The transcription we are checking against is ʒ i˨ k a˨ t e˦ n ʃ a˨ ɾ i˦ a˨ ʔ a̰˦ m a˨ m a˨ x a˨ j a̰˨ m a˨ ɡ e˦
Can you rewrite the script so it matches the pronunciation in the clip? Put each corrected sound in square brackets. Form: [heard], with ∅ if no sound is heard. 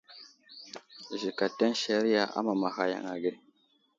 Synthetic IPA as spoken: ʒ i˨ k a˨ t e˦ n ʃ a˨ ɾ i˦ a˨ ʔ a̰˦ m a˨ m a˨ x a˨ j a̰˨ [ŋ] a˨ ɡ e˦